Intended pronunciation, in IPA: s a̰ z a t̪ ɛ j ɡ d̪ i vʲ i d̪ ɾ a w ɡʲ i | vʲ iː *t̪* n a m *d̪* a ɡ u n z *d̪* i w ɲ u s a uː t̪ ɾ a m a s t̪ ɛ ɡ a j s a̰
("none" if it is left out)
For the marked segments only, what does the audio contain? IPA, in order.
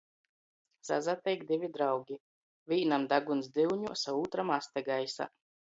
none, d̪, d̪

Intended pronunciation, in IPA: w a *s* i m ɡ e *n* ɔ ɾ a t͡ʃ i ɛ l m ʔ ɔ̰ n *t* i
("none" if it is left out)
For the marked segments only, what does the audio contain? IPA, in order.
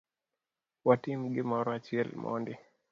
t, m, d

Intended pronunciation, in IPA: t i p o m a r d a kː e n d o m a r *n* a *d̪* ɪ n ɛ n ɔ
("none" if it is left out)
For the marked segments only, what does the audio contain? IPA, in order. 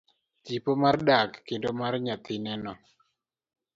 ɲ, t̪

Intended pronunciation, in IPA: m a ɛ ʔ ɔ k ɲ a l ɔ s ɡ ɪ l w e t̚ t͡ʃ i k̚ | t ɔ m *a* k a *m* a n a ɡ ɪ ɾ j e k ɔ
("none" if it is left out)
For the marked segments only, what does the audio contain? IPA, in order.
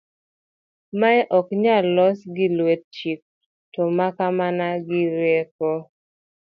a, m

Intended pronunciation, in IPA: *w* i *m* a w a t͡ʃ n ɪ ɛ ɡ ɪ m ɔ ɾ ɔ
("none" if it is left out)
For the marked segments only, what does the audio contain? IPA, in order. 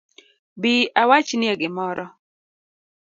b, none

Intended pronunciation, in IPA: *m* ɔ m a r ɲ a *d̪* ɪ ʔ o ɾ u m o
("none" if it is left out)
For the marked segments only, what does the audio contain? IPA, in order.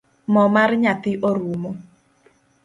m, t̪

